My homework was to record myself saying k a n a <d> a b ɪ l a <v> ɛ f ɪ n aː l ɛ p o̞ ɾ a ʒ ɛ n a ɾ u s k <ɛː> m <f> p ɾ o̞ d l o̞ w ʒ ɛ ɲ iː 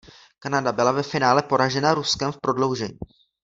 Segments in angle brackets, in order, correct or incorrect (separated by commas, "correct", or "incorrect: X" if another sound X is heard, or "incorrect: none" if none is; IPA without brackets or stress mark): correct, correct, incorrect: ɛ, correct